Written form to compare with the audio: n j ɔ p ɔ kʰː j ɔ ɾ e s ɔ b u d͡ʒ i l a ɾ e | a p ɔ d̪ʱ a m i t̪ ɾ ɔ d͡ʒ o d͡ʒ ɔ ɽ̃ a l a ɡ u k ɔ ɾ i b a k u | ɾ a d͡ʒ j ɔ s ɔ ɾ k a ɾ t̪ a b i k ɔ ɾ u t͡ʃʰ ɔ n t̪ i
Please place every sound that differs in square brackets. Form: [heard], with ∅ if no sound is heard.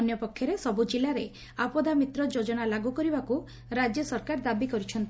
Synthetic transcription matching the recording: n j ɔ p ɔ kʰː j ɔ ɾ e s ɔ b u d͡ʒ i l a ɾ e | a p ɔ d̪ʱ a m i t̪ ɾ ɔ d͡ʒ o d͡ʒ ɔ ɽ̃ a l a ɡ u k ɔ ɾ i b a k u | ɾ a d͡ʒ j ɔ s ɔ ɾ k a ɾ [d̪] a b i k ɔ ɾ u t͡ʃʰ ɔ n t̪ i